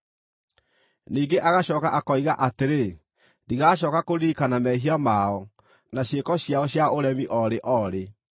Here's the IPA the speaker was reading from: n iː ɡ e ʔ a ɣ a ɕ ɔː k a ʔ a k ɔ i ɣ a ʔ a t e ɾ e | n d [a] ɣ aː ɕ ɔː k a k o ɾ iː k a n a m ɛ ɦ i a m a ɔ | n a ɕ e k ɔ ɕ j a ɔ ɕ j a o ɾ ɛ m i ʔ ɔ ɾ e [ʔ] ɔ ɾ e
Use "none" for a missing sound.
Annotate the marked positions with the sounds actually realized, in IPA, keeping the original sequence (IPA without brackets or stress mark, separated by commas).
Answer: i, ʔ